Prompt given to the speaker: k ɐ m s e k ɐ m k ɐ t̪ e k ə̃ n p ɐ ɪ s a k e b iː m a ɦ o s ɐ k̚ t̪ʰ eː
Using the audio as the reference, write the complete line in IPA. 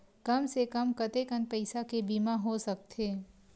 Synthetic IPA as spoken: k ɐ m s e k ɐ m k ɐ t̪ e k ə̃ n p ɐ ɪ s a k e b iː m a ɦ o s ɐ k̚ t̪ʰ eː